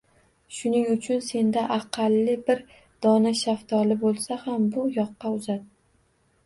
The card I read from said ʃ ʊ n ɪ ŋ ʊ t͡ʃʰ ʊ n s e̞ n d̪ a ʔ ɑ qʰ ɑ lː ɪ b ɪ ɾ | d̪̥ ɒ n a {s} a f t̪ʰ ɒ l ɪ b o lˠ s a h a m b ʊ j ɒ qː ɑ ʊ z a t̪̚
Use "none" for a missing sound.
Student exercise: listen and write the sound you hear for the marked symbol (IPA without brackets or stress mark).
ʃ